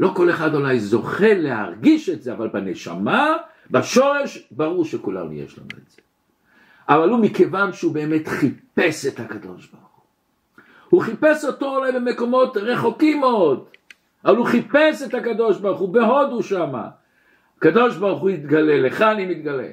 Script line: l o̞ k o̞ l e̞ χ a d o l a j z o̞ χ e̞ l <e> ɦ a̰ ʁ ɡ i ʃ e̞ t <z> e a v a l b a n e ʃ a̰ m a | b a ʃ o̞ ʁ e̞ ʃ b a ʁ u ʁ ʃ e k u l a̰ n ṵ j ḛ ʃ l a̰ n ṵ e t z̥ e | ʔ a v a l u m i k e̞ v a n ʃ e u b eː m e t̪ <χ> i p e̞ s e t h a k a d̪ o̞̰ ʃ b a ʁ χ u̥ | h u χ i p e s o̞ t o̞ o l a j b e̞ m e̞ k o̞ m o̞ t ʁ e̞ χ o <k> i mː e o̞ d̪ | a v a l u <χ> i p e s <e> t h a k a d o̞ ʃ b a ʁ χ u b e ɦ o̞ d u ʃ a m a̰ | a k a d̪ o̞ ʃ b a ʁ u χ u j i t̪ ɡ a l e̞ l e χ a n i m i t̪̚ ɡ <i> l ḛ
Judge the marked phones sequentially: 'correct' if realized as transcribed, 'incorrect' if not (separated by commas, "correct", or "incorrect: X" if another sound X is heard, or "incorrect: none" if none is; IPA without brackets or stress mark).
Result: correct, correct, correct, correct, correct, correct, incorrect: a